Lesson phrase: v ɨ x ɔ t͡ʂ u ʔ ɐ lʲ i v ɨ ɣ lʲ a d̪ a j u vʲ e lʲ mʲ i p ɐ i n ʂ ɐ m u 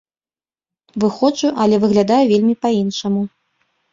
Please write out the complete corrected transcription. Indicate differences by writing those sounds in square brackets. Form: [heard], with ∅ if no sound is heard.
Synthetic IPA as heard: v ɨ x ɔ t͡ʂ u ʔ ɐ lʲ [ɛ] v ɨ ɣ lʲ a d̪ a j u vʲ e lʲ mʲ i p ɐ i n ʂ ɐ m u